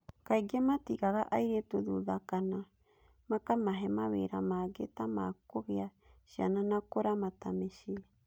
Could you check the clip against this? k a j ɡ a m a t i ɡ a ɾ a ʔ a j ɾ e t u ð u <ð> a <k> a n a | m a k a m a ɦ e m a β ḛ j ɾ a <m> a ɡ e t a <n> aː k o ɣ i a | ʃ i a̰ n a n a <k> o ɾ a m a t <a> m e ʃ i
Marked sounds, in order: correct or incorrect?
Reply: correct, correct, correct, incorrect: m, correct, correct

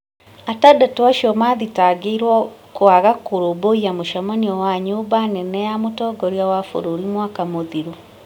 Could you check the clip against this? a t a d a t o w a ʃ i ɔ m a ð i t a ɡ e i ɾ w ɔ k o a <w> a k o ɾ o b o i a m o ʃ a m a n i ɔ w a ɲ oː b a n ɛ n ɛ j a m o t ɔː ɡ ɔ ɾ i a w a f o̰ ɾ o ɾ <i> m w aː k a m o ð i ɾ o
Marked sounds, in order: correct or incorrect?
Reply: incorrect: ɣ, correct

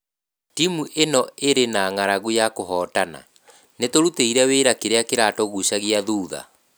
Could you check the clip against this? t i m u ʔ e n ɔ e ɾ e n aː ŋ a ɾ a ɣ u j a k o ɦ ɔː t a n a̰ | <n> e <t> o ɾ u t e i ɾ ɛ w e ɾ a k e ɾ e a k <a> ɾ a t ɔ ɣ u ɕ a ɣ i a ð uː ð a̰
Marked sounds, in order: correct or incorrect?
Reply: correct, correct, incorrect: e

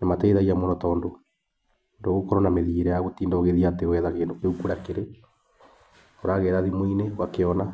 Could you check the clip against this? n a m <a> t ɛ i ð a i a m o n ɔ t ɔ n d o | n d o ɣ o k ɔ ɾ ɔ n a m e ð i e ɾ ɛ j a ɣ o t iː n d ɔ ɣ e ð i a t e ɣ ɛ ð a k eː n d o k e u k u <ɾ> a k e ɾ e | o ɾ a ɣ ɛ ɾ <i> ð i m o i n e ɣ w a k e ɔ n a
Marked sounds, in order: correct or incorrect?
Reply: correct, correct, incorrect: a

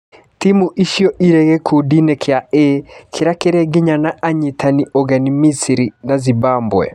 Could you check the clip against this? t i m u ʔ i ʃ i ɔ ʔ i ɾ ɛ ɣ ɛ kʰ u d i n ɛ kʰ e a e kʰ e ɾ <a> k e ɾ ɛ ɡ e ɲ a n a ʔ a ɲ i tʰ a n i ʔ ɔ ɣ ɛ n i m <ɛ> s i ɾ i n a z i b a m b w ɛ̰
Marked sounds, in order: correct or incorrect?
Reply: correct, incorrect: i

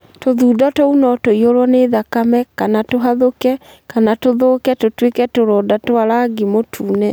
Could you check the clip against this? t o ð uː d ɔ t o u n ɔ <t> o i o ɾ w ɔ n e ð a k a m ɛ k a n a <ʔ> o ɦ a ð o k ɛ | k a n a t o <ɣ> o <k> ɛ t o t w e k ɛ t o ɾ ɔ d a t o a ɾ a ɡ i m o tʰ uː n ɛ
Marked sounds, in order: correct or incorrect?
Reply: correct, incorrect: t, incorrect: ð, correct

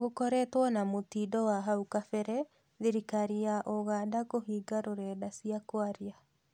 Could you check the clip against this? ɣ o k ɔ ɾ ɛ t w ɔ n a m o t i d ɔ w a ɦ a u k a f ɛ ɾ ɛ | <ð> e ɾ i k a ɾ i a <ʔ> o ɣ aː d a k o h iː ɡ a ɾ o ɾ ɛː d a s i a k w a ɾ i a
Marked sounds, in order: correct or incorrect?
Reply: correct, correct

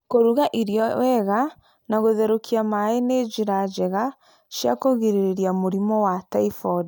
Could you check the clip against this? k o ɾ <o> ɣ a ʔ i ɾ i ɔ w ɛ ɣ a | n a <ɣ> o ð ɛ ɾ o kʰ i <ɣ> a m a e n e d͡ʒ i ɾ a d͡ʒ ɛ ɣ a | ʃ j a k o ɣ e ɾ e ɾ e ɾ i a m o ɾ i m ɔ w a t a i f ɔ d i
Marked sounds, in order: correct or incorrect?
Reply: incorrect: u, correct, incorrect: none

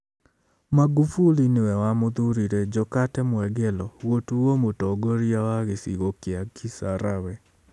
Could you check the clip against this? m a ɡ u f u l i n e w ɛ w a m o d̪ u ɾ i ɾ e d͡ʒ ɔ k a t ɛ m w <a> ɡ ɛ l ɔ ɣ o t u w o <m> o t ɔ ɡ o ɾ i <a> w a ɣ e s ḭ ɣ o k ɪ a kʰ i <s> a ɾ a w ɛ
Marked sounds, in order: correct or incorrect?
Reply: incorrect: ɛ, correct, correct, correct

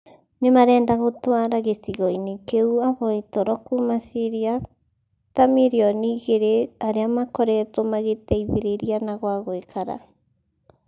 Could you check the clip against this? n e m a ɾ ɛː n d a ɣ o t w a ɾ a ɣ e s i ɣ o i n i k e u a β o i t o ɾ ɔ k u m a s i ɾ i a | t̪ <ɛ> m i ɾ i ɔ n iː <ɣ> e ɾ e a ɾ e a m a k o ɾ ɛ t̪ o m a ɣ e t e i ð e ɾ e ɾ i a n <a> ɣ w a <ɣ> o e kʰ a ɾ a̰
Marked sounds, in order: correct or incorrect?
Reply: incorrect: a, correct, correct, correct

